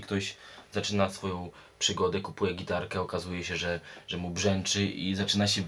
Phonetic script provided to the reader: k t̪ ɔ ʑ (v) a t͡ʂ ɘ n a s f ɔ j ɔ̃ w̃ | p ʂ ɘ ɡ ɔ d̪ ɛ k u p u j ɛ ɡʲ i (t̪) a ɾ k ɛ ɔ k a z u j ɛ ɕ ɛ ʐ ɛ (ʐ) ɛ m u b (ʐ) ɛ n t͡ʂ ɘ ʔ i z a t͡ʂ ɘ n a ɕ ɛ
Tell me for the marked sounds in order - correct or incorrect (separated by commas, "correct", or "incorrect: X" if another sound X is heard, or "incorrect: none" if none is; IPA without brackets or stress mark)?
incorrect: z, correct, correct, correct